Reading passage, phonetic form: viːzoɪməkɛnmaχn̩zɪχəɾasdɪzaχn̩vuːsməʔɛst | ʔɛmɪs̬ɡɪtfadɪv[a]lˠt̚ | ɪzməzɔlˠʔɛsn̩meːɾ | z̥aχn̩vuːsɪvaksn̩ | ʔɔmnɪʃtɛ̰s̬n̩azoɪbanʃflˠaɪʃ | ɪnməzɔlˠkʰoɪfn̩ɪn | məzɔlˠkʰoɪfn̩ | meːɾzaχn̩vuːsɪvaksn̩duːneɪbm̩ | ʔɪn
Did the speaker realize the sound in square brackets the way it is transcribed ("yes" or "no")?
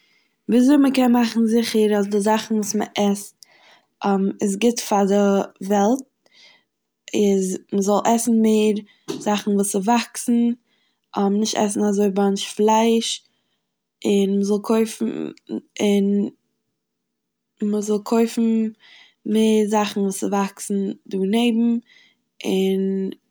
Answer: no